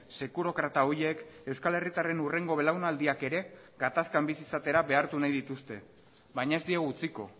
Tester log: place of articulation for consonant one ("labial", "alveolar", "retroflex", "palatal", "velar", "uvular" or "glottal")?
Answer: alveolar